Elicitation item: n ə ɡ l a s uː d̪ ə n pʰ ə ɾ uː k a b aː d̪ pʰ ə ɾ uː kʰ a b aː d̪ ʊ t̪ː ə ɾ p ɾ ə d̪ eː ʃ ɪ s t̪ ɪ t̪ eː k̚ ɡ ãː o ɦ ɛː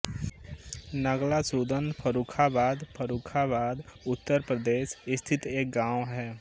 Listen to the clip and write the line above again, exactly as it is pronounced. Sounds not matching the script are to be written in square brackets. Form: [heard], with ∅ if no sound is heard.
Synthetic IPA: n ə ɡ l a s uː d̪ ə n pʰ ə ɾ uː [kʰ] a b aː d̪ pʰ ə ɾ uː kʰ a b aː d̪ ʊ t̪ː ə ɾ p ɾ ə d̪ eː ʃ ɪ s [t̪ʰ] ɪ t̪ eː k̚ ɡ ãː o ɦ ɛː